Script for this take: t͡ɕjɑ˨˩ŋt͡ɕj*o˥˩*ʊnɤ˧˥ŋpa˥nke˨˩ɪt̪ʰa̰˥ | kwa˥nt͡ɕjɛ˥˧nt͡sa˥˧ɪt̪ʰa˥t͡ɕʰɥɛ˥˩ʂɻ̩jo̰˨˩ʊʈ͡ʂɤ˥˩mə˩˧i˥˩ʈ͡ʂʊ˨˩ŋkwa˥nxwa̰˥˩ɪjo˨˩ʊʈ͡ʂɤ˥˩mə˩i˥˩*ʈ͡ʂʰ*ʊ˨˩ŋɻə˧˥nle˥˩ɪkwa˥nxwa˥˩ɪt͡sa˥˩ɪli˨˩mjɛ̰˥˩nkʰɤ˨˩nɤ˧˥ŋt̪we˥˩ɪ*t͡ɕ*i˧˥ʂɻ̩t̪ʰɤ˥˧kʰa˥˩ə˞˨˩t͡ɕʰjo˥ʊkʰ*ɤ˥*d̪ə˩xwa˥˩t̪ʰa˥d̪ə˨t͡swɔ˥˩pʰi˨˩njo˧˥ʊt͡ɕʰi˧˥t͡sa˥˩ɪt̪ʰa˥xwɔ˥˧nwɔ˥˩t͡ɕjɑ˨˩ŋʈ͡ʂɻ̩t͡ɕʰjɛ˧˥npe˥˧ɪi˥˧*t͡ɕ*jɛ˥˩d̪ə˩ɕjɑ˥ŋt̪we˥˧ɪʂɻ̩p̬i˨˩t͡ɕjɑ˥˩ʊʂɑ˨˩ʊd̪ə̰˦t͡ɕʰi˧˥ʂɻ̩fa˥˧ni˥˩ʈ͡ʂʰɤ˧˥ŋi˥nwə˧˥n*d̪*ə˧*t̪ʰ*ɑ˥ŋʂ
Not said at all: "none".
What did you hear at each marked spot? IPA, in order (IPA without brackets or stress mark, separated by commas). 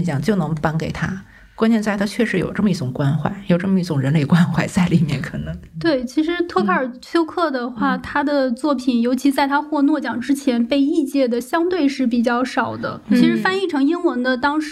o˥˩, ʈ͡ʂ, t͡ɕʰ, ɤ˥˩, t͡ɕ, d̪, t̪